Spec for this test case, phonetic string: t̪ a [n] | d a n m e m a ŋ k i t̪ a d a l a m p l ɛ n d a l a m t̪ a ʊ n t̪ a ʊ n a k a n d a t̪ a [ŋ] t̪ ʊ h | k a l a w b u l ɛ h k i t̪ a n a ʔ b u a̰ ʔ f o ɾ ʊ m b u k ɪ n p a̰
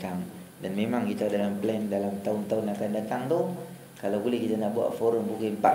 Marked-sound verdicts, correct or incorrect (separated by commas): incorrect, correct